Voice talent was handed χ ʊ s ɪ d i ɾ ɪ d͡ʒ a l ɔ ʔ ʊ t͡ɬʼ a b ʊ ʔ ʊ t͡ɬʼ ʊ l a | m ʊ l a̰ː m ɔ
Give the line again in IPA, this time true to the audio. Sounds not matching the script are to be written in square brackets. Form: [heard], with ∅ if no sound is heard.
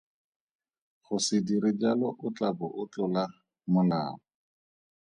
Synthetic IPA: χ ʊ s ɪ d i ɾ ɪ d͡ʒ a l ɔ ʔ ʊ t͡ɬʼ a b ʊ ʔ ʊ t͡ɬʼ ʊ l a | m ʊ l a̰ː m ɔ